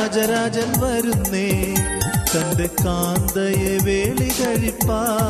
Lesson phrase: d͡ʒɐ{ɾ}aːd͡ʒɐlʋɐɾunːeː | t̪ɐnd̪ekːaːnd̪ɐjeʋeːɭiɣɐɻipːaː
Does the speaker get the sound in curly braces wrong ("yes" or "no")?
no